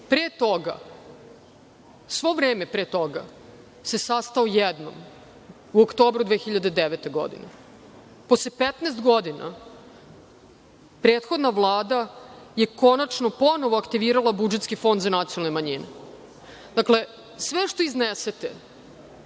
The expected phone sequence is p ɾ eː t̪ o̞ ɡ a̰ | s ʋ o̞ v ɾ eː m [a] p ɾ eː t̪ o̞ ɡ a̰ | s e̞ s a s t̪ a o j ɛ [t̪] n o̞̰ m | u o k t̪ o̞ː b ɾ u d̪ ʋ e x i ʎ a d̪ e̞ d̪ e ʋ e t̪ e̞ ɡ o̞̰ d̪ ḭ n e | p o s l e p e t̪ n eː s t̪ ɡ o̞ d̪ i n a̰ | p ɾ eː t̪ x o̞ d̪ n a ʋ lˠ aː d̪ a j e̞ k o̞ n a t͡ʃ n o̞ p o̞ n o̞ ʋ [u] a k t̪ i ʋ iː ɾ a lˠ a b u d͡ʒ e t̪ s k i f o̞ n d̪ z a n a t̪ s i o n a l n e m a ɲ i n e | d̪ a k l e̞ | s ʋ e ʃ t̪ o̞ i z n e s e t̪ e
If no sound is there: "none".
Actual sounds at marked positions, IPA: e, d̪, o

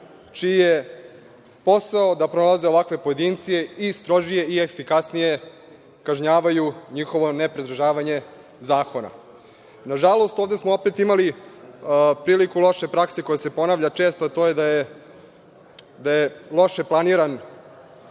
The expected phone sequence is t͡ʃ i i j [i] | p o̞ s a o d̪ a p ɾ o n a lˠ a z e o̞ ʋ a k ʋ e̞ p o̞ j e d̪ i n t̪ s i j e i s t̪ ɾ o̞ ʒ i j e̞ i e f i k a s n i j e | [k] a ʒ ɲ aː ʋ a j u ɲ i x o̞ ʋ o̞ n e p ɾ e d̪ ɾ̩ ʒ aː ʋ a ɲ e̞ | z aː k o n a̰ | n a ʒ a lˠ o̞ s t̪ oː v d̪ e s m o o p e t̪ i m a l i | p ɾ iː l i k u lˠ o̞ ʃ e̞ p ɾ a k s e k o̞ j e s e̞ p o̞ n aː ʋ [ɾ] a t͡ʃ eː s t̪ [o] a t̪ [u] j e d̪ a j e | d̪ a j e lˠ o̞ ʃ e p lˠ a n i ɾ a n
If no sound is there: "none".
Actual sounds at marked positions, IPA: e, k, ʎ, o, o

